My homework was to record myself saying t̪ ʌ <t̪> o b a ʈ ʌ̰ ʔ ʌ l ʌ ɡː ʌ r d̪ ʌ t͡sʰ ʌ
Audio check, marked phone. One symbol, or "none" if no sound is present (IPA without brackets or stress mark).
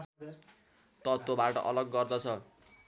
t̪